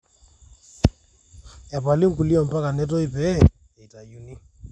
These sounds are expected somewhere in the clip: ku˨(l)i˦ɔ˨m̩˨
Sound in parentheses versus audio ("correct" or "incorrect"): correct